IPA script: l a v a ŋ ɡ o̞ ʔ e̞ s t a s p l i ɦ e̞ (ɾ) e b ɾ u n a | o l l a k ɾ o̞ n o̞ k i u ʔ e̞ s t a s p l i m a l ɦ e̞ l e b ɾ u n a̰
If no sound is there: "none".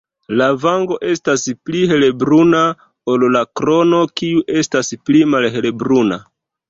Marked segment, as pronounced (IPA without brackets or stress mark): l